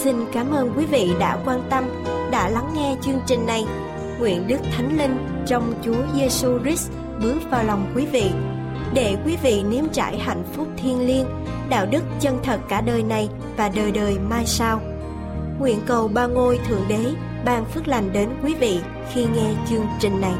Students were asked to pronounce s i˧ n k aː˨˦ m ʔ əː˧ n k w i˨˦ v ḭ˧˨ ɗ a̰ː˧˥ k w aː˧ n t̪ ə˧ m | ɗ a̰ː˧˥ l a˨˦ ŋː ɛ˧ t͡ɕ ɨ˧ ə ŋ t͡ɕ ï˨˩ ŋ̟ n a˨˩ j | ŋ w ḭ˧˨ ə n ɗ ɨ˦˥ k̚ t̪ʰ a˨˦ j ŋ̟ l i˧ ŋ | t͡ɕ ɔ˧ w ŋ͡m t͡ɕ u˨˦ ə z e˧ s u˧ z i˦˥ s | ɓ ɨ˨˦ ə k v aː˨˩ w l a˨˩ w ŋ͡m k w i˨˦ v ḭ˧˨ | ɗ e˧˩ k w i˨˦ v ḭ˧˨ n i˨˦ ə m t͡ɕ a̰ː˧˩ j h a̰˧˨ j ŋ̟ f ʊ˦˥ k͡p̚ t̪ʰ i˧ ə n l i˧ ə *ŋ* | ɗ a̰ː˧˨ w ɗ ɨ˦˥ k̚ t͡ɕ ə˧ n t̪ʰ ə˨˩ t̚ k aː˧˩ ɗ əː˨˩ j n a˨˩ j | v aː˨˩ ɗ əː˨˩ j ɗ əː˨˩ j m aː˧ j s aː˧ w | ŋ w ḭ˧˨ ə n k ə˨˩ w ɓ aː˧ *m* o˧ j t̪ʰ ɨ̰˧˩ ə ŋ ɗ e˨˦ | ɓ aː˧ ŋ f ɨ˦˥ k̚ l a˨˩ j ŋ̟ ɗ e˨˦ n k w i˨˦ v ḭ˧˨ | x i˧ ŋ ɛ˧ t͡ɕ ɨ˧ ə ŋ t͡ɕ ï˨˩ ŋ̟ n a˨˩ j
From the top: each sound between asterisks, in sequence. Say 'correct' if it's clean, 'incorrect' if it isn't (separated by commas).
incorrect, incorrect